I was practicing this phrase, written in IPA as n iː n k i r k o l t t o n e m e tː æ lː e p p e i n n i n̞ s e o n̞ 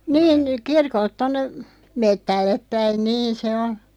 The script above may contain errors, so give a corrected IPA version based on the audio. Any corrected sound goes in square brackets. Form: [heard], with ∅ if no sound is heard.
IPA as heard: n iː n k i r k o l t t o [nː] e m e tː æ lː e p p [æ] i n n [iː] n̞ s e o n̞